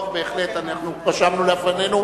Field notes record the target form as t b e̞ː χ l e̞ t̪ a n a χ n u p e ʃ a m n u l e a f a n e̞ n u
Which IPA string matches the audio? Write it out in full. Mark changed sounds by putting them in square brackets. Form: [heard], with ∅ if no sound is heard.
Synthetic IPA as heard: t b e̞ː χ l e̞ t̪ a n a χ n u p [a] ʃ a m n u l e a f a n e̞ n u